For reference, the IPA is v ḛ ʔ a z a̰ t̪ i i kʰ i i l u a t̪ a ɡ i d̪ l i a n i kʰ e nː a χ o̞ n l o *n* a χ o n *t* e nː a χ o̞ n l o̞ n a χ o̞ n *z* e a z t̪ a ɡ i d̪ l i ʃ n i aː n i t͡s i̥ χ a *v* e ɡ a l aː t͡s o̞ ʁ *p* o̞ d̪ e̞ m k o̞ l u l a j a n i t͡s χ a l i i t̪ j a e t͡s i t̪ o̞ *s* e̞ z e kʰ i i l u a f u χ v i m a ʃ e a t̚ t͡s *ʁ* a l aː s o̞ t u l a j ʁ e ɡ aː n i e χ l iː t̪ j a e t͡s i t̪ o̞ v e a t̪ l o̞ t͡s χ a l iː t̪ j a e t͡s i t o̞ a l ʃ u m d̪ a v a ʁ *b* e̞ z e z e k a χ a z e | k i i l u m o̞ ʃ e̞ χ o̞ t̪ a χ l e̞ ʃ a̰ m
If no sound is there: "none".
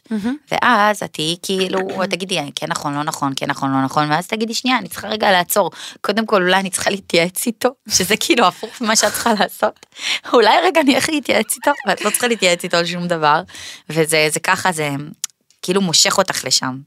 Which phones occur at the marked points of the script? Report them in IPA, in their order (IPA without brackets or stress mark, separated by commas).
n, k, v, ʁ, k, ʃ, χ, v